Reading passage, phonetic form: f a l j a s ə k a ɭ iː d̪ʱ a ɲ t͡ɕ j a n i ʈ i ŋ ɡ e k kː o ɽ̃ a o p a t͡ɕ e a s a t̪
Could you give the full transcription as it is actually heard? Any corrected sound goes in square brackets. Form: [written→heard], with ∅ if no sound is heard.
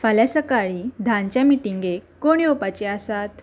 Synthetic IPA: f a l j a s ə k a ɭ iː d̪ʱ a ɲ t͡ɕ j a [n→m] i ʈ i ŋ ɡ e k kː o ɽ̃ [a→i] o p a t͡ɕ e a s a t̪